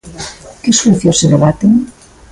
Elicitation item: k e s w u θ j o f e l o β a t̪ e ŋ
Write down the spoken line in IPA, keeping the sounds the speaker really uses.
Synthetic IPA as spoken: k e s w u θ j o s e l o β a t̪ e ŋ